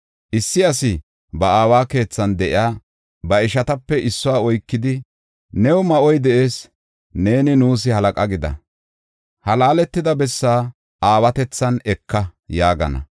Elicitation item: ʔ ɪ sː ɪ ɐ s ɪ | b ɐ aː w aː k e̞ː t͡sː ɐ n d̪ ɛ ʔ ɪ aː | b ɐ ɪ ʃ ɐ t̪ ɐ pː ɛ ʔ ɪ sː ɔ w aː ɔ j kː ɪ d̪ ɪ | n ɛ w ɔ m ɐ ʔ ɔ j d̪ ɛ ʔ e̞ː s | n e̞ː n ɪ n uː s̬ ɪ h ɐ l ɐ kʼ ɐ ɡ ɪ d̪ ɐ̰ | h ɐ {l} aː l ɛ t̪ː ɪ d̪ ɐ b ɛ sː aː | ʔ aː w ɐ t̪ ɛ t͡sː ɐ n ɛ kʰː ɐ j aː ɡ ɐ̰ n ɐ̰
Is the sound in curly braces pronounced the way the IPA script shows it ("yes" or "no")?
yes